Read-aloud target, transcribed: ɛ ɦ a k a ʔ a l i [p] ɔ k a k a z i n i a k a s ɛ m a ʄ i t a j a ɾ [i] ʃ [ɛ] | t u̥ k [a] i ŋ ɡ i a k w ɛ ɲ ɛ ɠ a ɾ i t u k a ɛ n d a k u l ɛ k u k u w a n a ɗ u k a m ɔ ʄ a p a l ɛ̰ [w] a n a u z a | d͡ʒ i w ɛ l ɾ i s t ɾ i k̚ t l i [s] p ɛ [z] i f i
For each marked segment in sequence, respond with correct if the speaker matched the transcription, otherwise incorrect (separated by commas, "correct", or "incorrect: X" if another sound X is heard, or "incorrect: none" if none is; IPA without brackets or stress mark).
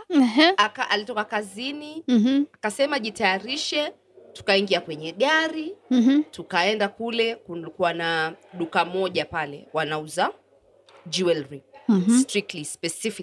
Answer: incorrect: t, correct, correct, correct, correct, correct, incorrect: s